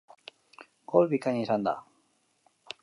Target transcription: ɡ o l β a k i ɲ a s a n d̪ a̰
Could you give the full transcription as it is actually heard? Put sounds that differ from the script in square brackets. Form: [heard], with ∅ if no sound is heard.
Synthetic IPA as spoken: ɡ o l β [i] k [a] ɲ [i] s a n d̪ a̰